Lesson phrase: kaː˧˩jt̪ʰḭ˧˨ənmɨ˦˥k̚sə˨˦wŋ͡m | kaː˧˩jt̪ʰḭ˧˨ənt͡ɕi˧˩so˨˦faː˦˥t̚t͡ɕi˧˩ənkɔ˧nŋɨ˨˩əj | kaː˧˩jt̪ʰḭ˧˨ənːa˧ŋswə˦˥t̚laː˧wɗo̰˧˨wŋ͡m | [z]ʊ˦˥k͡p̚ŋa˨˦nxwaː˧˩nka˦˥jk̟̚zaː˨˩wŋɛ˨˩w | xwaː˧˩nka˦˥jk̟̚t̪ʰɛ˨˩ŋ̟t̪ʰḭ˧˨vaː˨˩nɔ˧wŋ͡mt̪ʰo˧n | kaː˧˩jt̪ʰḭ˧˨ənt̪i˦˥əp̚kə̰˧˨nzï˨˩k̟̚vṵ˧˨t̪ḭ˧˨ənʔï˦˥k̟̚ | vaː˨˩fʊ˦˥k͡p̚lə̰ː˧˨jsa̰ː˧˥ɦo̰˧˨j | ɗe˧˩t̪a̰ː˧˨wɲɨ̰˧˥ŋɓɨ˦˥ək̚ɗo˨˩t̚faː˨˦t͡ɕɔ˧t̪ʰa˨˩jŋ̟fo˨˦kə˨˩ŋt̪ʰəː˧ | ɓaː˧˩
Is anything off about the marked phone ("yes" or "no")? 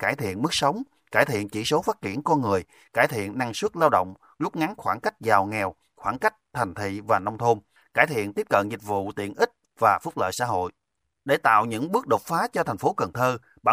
no